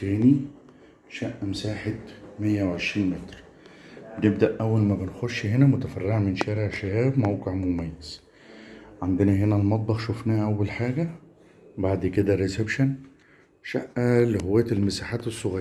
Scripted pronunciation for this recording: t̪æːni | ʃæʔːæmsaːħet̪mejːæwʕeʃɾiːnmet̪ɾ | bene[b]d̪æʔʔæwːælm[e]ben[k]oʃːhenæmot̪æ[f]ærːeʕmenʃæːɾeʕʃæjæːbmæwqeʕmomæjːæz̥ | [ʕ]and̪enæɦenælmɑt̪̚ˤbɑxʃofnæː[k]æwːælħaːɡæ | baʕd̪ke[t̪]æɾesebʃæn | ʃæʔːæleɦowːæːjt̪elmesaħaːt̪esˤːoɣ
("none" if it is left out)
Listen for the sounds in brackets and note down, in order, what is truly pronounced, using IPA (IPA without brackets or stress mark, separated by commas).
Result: b, æ, x, f, ʕ, ʔ, d̪